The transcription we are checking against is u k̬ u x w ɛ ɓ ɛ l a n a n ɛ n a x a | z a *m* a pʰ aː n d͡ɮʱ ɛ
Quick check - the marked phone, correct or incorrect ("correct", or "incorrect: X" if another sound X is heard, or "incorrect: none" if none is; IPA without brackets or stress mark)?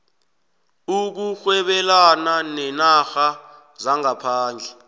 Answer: incorrect: ŋ